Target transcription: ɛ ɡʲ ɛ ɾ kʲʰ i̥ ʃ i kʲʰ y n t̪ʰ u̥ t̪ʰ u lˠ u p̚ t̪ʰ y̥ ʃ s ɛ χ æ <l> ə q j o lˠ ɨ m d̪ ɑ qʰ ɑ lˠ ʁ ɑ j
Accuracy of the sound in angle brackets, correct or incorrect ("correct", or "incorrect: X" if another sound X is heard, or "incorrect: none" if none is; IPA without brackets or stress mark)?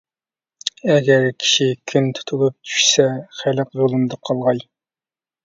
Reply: correct